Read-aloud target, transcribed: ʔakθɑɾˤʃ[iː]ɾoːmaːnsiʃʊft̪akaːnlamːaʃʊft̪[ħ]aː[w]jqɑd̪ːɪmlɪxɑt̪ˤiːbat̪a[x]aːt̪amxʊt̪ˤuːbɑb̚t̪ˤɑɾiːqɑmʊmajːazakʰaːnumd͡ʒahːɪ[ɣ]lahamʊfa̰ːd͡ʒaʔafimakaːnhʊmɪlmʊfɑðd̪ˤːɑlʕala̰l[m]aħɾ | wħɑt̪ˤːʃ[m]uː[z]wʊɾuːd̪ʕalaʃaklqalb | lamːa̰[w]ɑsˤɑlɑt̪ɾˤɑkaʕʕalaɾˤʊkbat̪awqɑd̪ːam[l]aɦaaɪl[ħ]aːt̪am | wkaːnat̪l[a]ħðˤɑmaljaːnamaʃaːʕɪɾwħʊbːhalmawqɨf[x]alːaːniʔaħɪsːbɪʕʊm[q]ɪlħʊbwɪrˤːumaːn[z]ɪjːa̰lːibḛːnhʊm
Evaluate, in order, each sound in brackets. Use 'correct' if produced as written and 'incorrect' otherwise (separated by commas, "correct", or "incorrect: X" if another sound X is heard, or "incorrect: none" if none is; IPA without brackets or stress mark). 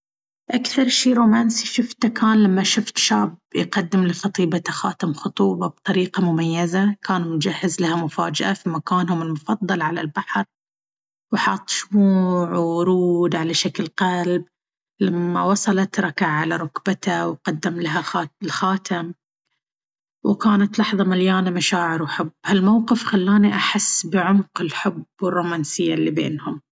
correct, incorrect: ʃ, incorrect: b, correct, incorrect: z, incorrect: b, correct, incorrect: ʕ, correct, correct, incorrect: x, incorrect: ɑ, correct, correct, incorrect: s